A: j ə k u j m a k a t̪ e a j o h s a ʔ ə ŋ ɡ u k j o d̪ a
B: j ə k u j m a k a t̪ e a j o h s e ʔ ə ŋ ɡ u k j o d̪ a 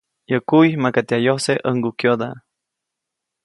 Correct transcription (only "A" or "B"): B